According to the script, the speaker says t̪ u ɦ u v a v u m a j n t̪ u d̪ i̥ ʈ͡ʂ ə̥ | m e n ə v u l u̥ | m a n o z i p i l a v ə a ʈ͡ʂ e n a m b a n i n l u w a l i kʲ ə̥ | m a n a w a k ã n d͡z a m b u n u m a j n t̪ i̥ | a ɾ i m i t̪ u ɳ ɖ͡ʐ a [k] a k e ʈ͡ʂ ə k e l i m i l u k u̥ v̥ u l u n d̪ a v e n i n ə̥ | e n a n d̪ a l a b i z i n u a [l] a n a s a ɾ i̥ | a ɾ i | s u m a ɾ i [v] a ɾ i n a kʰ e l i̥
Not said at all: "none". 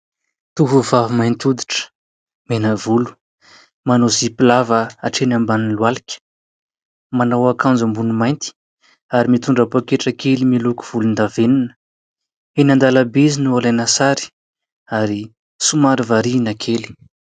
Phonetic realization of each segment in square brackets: p, l, v

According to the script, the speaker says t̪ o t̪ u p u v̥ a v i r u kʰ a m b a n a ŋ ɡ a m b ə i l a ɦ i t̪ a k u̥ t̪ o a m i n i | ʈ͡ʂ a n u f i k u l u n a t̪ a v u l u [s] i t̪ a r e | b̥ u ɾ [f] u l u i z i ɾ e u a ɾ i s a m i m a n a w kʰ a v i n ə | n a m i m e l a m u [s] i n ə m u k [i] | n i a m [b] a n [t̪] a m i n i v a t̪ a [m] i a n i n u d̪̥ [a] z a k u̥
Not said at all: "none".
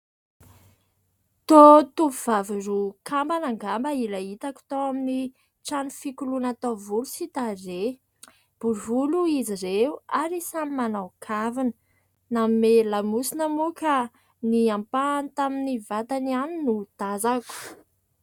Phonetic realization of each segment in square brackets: s, v, s, a, p, t̪, n, a

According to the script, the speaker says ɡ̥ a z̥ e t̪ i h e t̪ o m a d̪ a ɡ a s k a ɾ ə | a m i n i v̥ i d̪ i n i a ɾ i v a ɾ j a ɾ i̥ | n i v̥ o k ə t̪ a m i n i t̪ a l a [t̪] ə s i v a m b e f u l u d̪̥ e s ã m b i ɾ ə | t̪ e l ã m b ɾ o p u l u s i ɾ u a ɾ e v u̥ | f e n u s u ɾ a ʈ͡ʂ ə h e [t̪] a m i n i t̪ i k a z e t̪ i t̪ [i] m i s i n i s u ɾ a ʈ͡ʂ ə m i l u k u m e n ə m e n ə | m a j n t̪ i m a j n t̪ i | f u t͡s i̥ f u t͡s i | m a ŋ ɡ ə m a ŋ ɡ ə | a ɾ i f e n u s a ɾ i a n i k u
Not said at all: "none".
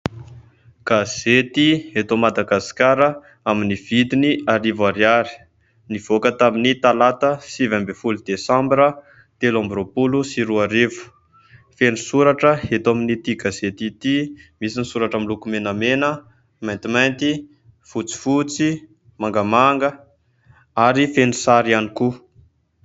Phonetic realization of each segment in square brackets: t̪, t̪, i

